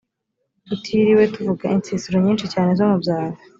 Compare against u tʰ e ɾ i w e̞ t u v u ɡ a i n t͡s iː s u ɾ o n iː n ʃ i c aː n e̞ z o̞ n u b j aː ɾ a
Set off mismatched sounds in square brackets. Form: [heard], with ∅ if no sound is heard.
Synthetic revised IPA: u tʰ [i] ɾ i w e̞ t u v u ɡ a i n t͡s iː s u ɾ o [ɲ] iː n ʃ i c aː n e̞ z o̞ [m] u b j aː ɾ a